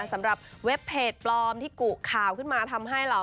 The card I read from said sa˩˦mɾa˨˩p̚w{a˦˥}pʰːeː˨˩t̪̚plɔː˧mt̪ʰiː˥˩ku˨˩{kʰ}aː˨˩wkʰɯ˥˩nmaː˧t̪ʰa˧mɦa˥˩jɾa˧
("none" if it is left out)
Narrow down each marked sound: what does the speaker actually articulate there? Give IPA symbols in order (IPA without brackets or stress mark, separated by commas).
e˦˥, kʰ